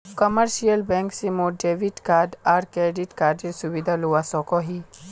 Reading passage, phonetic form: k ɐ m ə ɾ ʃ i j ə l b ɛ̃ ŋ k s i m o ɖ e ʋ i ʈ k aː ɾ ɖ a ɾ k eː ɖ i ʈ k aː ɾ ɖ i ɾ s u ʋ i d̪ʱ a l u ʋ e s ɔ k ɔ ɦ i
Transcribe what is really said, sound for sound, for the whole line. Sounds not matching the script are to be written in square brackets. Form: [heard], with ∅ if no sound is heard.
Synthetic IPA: k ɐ m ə ɾ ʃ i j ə l b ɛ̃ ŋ k s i m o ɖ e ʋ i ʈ k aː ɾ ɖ a ɾ k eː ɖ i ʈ k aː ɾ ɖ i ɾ s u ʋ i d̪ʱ a l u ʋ [a] s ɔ k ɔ ɦ i